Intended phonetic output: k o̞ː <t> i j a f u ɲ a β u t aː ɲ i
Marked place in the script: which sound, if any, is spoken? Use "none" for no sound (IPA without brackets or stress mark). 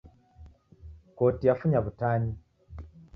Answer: t